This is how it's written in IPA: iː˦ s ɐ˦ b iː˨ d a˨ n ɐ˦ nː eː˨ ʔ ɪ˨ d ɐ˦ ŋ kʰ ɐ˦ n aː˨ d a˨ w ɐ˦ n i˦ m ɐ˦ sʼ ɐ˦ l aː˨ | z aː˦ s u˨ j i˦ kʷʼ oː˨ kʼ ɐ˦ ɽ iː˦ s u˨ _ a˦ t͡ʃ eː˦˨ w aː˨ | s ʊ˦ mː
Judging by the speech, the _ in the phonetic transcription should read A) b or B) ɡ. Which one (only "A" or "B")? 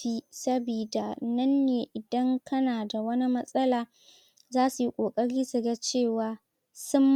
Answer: B